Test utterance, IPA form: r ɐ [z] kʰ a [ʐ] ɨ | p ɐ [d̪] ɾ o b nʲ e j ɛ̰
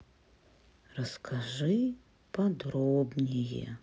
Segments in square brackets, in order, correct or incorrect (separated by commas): incorrect, correct, correct